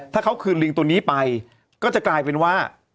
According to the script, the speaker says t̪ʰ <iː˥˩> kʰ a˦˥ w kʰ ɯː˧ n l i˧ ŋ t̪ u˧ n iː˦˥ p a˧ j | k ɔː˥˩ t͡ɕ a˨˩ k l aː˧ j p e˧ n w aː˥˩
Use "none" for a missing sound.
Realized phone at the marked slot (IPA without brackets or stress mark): aː˥˩